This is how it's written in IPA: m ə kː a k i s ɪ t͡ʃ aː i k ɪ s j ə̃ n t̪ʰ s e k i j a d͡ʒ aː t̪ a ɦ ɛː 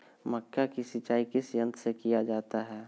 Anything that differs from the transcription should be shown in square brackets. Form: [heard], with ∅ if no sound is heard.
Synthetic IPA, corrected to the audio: m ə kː a k i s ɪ t͡ʃ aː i k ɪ s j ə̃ n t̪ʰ s e k i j a d͡ʒ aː t̪ a ɦ ɛː